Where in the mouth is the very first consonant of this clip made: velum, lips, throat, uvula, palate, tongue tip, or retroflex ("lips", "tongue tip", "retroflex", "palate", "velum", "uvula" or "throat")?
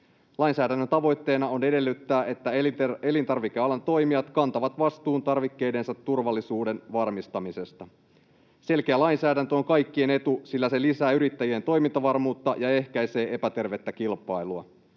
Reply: tongue tip